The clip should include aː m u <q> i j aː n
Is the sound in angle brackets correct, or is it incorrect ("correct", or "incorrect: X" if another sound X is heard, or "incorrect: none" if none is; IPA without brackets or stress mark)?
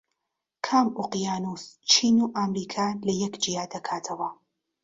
correct